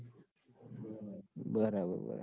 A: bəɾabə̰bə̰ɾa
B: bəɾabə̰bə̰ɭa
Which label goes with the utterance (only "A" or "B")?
A